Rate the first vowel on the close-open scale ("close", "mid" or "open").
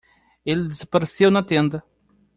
mid